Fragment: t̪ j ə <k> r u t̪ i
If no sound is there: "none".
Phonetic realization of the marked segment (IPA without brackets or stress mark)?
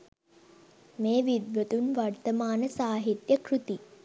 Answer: k